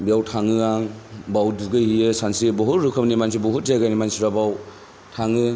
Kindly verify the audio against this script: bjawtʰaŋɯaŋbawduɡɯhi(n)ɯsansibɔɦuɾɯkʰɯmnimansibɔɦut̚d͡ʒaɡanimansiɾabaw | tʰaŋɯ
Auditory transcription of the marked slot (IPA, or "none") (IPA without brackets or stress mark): none